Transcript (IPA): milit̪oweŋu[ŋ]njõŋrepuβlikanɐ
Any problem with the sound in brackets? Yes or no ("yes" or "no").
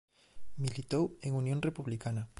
yes